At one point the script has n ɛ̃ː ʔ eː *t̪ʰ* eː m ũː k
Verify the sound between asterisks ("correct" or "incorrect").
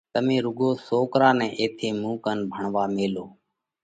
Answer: correct